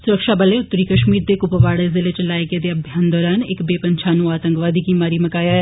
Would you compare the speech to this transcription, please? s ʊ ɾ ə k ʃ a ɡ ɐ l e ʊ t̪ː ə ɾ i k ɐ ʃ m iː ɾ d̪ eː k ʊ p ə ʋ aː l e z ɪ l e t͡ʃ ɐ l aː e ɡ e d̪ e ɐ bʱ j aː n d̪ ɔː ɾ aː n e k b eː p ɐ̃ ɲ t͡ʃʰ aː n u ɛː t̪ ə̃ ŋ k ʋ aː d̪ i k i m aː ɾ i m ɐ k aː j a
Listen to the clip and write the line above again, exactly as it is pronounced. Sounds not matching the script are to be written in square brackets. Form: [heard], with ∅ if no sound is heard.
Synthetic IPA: s ʊ ɾ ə k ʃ a [b] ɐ l e ʊ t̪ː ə ɾ i k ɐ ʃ m iː ɾ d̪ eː k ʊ p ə ʋ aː [ɽ] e z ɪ l e t͡ʃ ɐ l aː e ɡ e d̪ e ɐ bʱ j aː n d̪ ɔː ɾ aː n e k b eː p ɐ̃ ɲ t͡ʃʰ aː n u [aː] t̪ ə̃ ŋ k ʋ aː d̪ i k i m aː ɾ i m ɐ k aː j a